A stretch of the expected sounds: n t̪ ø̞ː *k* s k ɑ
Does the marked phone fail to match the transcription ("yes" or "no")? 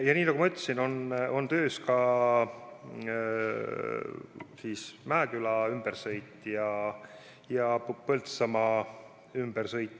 yes